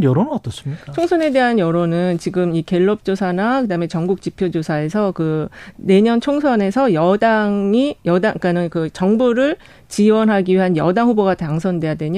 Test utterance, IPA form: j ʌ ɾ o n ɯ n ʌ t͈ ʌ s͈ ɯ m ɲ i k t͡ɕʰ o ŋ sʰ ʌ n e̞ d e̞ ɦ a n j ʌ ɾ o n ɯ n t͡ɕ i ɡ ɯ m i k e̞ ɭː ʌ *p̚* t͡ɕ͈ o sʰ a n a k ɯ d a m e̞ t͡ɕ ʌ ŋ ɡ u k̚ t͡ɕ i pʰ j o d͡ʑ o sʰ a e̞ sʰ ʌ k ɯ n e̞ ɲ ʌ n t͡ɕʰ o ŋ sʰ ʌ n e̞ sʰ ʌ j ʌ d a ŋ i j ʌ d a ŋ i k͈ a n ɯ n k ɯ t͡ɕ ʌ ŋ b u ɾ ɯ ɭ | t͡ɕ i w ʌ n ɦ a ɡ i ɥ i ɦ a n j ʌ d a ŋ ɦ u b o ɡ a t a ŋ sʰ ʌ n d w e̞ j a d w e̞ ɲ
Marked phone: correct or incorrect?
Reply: correct